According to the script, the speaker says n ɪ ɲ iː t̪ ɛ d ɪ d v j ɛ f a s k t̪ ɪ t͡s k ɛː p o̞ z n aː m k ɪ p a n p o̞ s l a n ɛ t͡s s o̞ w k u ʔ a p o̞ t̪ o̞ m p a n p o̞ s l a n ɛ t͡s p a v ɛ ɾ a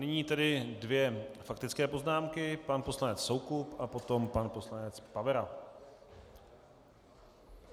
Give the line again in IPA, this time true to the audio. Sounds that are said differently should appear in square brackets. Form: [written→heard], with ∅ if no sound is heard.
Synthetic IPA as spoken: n ɪ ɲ iː t̪ ɛ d ɪ d v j ɛ f a [s→∅] k t̪ ɪ t͡s k ɛː p o̞ z n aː m k ɪ p a n p o̞ s l a n ɛ t͡s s o̞ w k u [ʔ→p] a p o̞ t̪ o̞ m p a n p o̞ s l a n ɛ t͡s p a v ɛ ɾ a

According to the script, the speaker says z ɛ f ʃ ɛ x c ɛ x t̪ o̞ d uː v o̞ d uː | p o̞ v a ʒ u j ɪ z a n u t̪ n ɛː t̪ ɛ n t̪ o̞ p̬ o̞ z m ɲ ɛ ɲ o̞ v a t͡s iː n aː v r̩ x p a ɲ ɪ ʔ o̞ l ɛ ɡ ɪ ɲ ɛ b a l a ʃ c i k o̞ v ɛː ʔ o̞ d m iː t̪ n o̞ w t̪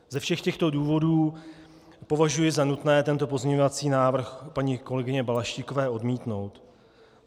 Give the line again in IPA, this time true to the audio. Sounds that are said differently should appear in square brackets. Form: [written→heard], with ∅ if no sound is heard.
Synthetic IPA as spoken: z ɛ f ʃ ɛ x c ɛ x t̪ o̞ d uː v o̞ d uː | p o̞ v a ʒ u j ɪ z a n u t̪ n ɛː t̪ ɛ n t̪ o̞ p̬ o̞ z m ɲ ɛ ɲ o̞ v a t͡s iː n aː v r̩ x p a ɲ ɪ [ʔ→k] o̞ l ɛ ɡ ɪ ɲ ɛ b a l a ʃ c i k o̞ v ɛː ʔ o̞ d m iː t̪ n o̞ w t̪

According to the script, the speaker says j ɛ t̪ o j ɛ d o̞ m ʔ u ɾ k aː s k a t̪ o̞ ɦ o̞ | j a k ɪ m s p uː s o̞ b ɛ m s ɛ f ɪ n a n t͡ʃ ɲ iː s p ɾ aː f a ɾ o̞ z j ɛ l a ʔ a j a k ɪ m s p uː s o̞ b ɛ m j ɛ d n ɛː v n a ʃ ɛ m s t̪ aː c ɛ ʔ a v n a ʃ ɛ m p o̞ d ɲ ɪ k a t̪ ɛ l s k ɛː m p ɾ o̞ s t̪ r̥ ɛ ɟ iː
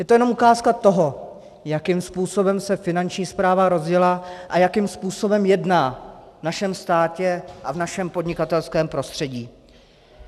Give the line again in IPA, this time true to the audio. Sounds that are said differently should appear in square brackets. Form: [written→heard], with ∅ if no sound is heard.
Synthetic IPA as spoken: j ɛ t̪ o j ɛ [d→n] o̞ m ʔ u [ɾ→∅] k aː s k a t̪ o̞ ɦ o̞ | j a k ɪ m s p uː s o̞ b ɛ m s ɛ f ɪ n a n t͡ʃ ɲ iː s p ɾ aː [f→v] a ɾ o̞ z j ɛ l a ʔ a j a k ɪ m s p uː s o̞ b ɛ m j ɛ d n [ɛː→aː] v n a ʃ ɛ m s t̪ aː c ɛ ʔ a v n a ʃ ɛ m p o̞ d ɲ ɪ k a t̪ ɛ l s k ɛː m p ɾ o̞ s t̪ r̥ ɛ ɟ iː

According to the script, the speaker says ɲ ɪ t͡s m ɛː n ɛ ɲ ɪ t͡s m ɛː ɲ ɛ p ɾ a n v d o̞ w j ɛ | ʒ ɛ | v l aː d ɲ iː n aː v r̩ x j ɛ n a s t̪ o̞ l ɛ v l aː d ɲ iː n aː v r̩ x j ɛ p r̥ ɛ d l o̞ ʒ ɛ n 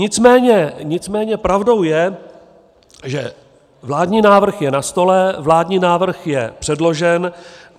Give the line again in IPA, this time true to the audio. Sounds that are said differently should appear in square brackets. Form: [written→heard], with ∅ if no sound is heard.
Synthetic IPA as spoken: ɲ ɪ t͡s m ɛː [n→ɲ] ɛ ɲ ɪ t͡s m ɛː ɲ ɛ p ɾ a [n→∅] v d o̞ w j ɛ | ʒ ɛ | v l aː d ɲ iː n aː v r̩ x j ɛ n a s t̪ o̞ l ɛ v l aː d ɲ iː n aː v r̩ x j ɛ p r̥ ɛ d l o̞ ʒ ɛ n

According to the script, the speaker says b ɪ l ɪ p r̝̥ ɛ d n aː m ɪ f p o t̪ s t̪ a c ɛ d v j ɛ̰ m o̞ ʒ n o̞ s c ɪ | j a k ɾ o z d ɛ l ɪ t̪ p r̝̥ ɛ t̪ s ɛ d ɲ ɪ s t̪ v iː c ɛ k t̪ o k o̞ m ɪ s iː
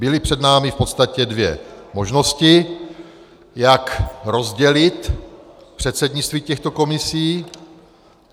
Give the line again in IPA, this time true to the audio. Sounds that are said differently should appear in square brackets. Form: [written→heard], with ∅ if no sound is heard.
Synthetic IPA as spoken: b ɪ l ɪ p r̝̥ ɛ d n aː m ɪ f p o t̪ s t̪ a c ɛ d v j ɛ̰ m o̞ ʒ n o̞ s c ɪ | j a k ɾ o z [d→ɟ] ɛ l ɪ t̪ p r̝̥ ɛ t̪ s ɛ d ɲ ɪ [s→t͡s] t̪ v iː c ɛ [k→x] t̪ o k o̞ m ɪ s iː

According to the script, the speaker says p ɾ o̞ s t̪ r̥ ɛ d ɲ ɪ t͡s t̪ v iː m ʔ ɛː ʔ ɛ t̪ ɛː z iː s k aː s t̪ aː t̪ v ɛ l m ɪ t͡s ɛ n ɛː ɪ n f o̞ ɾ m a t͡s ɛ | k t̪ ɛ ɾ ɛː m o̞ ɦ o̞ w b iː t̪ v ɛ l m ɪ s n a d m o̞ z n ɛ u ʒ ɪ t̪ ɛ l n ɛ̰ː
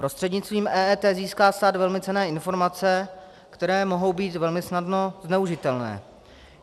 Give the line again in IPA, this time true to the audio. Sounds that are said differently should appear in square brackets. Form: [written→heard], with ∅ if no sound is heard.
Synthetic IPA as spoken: p ɾ o̞ s t̪ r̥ ɛ d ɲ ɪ t͡s t̪ v iː m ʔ ɛː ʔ ɛ t̪ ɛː z iː s k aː s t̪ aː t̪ v ɛ l m ɪ t͡s ɛ n ɛː ɪ n f o̞ ɾ m a t͡s ɛ | k t̪ ɛ ɾ ɛː m o̞ ɦ o̞ w b iː t̪ v ɛ l m ɪ s n a d [m→n] o̞ z n ɛ u ʒ ɪ t̪ ɛ l n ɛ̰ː

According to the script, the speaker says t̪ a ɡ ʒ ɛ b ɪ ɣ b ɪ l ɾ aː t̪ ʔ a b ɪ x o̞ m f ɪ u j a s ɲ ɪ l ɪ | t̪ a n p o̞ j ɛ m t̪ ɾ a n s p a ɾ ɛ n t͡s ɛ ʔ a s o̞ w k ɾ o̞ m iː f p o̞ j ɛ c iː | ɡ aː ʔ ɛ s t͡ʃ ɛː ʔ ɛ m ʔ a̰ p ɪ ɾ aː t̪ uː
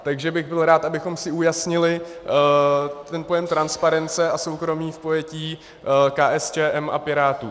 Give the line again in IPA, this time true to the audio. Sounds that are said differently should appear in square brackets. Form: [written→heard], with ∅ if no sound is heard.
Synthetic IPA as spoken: t̪ a ɡ ʒ ɛ b ɪ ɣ b ɪ l ɾ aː t̪ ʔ a b ɪ x o̞ m [f→s] ɪ u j a s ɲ ɪ l ɪ | t̪ [a→ɛ] n p o̞ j ɛ m t̪ ɾ a n s p a ɾ ɛ n t͡s ɛ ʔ a s o̞ w k ɾ o̞ m iː f p o̞ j ɛ c iː | [ɡ→k] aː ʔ ɛ s t͡ʃ ɛː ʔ ɛ m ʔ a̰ p ɪ ɾ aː t̪ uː

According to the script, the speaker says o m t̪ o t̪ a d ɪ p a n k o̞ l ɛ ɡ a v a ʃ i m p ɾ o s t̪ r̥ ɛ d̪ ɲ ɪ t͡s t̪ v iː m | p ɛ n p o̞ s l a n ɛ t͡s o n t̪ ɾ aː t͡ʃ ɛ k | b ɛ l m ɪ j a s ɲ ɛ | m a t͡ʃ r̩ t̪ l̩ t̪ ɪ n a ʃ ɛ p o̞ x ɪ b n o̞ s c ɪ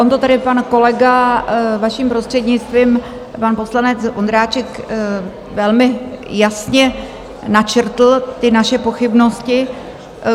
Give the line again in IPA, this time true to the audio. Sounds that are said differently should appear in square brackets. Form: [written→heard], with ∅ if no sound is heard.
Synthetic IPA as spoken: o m t̪ o t̪ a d ɪ p a n k o̞ l ɛ ɡ a v a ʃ i m p ɾ o s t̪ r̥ ɛ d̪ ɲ ɪ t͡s t̪ v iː m | p [ɛ→a] n p o̞ s l a n ɛ t͡s o n [t̪→d̪] ɾ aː t͡ʃ ɛ k | [b→v] ɛ l m ɪ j a s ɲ ɛ | [m→n] a t͡ʃ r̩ t̪ l̩ t̪ ɪ n a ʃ ɛ p o̞ x ɪ b n o̞ s c ɪ

